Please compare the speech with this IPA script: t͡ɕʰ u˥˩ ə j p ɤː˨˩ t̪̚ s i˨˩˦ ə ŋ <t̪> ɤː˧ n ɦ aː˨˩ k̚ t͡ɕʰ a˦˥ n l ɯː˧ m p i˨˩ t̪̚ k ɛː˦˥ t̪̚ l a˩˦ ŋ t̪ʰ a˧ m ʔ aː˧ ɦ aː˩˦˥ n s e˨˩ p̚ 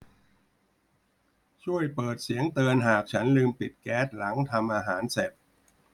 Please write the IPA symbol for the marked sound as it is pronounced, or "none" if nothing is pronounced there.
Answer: t̪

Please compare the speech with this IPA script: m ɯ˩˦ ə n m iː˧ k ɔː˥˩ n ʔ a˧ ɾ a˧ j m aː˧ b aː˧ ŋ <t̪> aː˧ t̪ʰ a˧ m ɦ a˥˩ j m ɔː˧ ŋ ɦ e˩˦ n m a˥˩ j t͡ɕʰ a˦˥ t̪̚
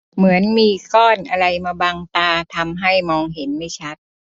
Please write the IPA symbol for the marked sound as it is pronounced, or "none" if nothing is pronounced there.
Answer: t̪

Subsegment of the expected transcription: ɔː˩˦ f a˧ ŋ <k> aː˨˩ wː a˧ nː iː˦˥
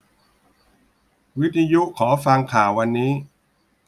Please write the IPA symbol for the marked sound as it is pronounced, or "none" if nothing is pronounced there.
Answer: kʰ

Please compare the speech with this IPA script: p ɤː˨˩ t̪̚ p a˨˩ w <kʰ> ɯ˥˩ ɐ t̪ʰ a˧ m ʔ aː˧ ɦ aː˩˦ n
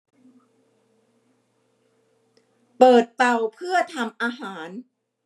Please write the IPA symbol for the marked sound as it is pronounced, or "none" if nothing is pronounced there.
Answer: pʰ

